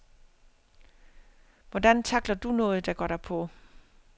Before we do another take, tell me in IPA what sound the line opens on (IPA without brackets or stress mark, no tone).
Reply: ʋ